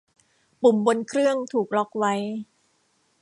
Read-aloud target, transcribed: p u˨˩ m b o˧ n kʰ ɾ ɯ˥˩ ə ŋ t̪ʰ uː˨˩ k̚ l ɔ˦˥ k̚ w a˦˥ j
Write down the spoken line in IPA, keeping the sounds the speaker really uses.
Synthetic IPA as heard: p u˨˩ m b o˧ n kʰ ɾ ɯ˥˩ ə ŋ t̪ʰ uː˨˩ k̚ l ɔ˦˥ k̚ w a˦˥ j

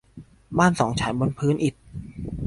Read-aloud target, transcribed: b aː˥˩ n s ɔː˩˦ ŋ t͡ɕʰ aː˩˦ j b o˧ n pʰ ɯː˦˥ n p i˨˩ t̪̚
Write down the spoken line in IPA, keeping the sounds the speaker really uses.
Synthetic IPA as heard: b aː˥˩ n s ɔː˩˦ ŋ t͡ɕʰ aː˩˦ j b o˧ n pʰ ɯː˦˥ n ʔ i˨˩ t̪̚

